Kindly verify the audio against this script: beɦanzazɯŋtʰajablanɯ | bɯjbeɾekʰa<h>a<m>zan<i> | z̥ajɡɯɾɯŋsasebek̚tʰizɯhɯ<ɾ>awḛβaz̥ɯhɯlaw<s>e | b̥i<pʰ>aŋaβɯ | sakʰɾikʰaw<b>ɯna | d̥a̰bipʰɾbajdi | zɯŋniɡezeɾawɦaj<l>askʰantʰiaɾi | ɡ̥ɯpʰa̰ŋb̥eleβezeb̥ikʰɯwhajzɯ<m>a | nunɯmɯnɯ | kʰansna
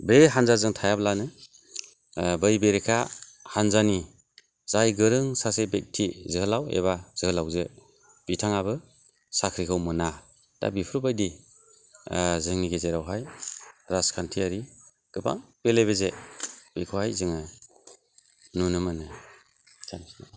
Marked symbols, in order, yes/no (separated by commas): yes, no, yes, no, no, no, no, no, no